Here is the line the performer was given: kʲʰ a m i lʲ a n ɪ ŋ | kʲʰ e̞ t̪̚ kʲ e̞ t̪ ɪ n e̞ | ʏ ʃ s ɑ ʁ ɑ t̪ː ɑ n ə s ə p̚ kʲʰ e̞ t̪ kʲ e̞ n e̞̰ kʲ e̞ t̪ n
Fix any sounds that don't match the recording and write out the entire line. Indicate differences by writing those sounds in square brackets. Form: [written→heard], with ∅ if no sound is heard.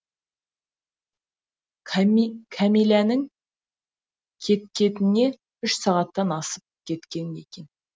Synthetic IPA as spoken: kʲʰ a m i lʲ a n ɪ ŋ | kʲʰ e̞ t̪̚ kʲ e̞ t̪ ɪ n e̞ | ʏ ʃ s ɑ ʁ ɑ t̪ː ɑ n [ə→ɑ] s ə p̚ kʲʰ e̞ t̪ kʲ e̞ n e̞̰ kʲ e̞ [t̪→∅] n